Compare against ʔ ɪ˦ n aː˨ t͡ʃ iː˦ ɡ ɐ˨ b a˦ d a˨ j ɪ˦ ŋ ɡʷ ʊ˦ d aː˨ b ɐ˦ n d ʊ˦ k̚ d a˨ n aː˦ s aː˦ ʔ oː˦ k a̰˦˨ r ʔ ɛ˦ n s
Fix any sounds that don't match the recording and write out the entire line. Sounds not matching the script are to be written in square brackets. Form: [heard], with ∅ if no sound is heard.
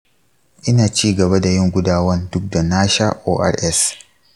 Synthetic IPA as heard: ʔ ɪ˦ n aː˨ t͡ʃ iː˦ ɡ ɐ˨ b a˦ d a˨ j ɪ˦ ŋ ɡʷ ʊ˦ d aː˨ [w] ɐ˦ n d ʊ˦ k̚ d a˨ n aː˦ [ʃ] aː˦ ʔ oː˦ [ʔ] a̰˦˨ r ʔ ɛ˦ [∅] s